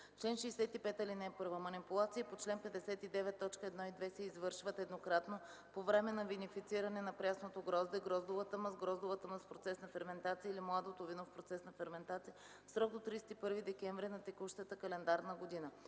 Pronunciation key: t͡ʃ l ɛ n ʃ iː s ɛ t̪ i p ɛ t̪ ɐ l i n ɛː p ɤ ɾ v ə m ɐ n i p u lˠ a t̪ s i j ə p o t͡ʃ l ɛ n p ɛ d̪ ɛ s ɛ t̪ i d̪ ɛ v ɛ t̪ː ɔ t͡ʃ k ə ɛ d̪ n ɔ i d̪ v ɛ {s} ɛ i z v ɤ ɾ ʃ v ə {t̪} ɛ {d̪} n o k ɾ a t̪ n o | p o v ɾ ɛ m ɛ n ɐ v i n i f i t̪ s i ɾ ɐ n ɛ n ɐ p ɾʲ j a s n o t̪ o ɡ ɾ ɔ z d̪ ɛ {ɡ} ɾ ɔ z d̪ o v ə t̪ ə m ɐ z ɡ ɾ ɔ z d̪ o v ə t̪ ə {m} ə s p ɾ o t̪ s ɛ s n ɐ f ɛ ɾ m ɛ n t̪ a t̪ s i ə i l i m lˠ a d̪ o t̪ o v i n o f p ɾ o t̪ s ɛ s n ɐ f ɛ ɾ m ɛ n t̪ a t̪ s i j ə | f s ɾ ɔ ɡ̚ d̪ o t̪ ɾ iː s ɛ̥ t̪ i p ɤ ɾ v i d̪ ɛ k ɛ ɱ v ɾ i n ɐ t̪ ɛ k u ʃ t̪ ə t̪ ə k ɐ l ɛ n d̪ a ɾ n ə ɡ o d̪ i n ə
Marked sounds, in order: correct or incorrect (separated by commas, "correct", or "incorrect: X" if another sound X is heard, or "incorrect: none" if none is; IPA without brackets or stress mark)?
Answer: correct, correct, correct, correct, correct